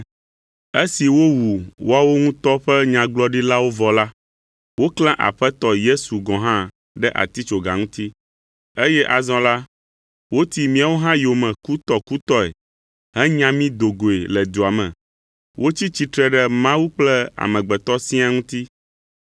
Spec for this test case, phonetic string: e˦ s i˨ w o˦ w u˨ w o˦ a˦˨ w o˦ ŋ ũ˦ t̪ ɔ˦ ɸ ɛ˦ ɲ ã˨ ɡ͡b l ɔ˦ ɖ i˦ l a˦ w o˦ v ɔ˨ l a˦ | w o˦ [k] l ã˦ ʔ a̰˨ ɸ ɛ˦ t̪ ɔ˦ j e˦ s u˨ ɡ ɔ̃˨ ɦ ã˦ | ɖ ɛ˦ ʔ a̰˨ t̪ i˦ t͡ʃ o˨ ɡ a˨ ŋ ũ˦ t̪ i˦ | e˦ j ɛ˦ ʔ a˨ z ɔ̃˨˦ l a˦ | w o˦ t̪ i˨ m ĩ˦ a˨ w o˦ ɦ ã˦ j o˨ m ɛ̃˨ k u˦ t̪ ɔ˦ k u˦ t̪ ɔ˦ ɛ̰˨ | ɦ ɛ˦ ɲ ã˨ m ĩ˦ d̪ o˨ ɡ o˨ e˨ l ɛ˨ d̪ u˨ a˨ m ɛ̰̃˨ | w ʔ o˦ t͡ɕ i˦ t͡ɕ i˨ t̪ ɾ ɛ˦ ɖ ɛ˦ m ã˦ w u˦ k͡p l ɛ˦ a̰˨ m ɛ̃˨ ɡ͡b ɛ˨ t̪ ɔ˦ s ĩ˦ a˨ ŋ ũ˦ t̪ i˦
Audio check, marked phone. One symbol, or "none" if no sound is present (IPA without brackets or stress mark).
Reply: k